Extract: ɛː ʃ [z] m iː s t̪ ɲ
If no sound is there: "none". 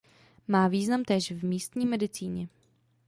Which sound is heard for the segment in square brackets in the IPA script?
v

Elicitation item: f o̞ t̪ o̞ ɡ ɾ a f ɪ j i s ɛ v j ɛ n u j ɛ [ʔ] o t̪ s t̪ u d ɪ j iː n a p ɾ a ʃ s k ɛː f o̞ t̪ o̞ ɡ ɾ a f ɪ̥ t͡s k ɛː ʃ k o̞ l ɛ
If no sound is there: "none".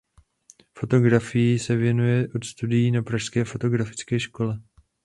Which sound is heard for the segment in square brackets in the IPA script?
ʔ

